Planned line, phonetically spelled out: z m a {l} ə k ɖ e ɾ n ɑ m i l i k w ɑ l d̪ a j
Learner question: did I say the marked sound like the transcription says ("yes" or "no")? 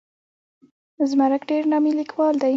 no